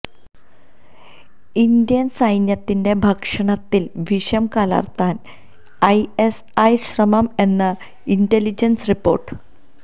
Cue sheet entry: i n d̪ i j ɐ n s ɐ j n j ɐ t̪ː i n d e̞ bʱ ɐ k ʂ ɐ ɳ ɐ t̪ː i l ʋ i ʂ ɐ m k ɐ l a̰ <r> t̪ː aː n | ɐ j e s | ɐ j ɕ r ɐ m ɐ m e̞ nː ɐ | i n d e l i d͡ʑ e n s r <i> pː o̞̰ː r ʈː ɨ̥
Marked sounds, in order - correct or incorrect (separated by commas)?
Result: correct, correct